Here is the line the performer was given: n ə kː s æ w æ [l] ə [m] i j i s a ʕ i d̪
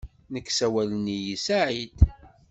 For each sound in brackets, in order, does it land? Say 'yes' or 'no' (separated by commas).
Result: yes, no